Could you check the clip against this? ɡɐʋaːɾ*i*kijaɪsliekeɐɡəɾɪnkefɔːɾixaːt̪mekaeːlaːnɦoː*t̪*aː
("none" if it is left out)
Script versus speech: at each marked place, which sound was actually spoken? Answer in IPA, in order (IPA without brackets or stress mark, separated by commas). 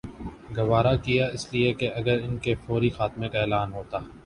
a, t̪